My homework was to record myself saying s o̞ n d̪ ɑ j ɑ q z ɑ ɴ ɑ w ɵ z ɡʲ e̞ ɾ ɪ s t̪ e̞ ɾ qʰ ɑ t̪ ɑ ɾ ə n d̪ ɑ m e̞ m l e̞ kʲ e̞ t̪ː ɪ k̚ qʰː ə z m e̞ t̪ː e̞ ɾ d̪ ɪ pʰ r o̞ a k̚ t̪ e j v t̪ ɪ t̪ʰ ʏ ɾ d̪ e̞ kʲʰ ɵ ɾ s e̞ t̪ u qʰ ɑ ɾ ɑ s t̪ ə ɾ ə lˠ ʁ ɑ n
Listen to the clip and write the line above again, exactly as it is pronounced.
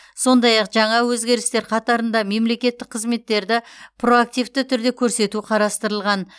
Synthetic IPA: s o̞ n d̪ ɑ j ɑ q ʒ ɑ ɴ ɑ w ɵ z ɡʲ e̞ ɾ ɪ s t̪ e̞ ɾ qʰ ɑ t̪ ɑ ɾ ə n d̪ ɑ m e̞ m l e̞ kʲ e̞ t̪ː ɪ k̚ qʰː ə z m e̞ t̪ː e̞ ɾ d̪ ɪ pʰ r o̞ a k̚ t̪ i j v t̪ ɪ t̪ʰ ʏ ɾ d̪ e̞ kʲʰ ɵ ɾ s e̞ t̪ u qʰ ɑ ɾ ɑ s t̪ ə ɾ ə lˠ ʁ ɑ n